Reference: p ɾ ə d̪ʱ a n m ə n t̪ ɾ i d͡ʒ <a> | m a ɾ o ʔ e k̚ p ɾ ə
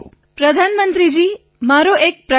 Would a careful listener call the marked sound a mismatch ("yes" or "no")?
yes